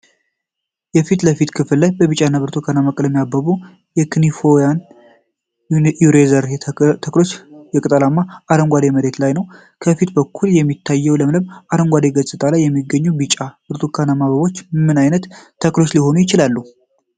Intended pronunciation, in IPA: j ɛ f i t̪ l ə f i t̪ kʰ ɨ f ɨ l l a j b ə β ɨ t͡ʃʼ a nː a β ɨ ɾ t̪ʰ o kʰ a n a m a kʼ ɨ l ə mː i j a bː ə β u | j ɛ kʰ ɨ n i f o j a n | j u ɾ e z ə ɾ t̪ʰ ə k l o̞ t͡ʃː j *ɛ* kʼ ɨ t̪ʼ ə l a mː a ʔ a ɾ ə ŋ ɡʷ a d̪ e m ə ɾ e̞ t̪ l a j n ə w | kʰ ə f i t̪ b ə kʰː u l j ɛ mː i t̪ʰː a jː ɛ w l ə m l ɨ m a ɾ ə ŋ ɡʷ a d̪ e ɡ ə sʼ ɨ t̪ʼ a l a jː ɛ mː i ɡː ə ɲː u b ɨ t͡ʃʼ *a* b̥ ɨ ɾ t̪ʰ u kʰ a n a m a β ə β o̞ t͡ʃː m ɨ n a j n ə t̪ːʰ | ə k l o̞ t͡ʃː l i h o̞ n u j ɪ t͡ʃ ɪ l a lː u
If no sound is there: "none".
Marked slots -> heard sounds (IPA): ɛ, a

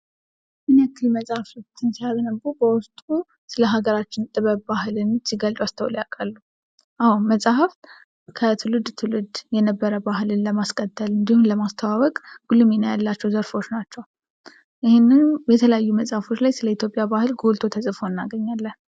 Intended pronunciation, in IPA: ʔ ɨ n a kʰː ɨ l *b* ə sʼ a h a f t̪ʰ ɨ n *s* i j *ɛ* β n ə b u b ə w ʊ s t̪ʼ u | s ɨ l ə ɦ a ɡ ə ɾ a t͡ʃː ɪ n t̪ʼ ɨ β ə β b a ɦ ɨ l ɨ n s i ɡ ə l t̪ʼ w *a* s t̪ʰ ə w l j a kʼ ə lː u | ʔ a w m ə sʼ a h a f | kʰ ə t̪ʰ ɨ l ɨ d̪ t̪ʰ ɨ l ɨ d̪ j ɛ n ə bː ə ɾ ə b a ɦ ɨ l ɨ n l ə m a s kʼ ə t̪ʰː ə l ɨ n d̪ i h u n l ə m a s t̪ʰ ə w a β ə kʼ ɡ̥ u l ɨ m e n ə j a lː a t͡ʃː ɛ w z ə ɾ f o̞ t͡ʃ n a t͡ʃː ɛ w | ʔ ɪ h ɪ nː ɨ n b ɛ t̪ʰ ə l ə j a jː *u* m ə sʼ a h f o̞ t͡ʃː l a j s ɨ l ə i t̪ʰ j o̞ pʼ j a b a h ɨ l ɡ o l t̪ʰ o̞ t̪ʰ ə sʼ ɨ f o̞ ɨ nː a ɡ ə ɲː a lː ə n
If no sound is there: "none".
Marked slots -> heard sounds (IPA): m, s, a, a, u

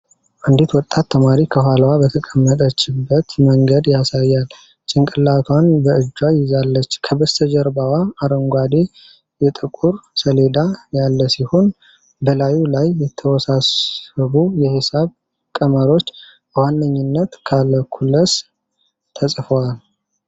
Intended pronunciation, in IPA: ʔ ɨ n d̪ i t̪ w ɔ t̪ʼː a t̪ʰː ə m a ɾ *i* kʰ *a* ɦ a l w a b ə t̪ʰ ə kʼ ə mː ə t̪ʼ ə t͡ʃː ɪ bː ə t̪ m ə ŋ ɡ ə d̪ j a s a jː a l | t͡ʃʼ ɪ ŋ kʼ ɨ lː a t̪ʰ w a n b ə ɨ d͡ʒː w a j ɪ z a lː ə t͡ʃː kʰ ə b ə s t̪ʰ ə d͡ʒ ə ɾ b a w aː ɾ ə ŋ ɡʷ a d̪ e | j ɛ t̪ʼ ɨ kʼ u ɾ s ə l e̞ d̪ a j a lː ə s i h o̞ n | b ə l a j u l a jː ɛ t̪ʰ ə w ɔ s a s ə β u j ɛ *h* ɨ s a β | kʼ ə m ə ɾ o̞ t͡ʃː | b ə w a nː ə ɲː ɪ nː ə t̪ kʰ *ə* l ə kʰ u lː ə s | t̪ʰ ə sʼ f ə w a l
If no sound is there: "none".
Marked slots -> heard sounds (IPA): i, ə, h, a

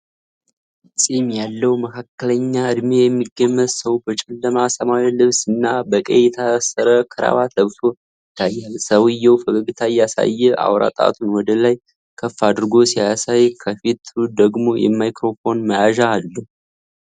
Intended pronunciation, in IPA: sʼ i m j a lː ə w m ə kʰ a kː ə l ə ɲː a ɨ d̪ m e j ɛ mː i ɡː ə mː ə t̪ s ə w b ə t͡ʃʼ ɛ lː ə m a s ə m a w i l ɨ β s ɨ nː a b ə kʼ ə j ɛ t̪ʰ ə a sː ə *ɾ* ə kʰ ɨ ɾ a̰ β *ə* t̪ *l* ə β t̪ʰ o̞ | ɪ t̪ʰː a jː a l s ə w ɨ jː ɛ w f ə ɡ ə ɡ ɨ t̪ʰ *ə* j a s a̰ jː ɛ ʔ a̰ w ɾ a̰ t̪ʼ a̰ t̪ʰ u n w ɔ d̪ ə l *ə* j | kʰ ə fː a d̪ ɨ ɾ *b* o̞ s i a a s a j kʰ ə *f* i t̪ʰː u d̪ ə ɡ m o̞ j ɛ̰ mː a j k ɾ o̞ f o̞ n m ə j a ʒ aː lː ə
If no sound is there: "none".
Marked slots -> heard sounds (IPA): ɾ, a, l, a, a, ɡ, f

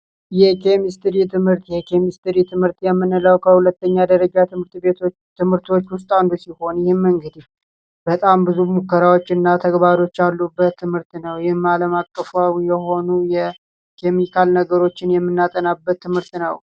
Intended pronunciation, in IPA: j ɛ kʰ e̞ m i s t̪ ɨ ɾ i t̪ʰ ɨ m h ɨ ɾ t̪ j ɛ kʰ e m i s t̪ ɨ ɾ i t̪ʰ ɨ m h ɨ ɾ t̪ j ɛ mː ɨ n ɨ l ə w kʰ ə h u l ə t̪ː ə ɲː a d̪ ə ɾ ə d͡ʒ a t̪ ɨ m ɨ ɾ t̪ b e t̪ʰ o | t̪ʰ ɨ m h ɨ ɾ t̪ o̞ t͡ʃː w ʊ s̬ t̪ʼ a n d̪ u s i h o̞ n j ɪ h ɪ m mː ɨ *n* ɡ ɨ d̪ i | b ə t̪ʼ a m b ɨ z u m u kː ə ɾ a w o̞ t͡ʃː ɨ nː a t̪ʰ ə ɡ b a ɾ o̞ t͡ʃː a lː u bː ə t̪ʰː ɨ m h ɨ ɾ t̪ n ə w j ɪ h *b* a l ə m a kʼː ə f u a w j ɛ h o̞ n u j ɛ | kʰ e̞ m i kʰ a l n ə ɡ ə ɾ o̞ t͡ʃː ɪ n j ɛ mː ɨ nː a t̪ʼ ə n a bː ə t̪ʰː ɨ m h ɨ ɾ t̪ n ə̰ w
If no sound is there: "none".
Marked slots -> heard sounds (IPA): ŋ, m

